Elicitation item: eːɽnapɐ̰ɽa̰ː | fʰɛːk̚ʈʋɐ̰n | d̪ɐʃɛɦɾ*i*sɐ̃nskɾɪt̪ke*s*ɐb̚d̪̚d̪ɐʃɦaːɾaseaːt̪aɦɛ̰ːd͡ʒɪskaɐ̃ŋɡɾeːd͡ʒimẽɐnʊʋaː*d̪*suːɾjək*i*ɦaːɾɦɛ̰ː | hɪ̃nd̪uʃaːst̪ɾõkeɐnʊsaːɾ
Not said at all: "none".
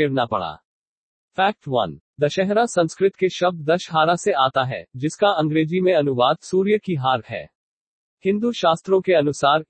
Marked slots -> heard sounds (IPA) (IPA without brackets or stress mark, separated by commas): a, ʃ, d̪, i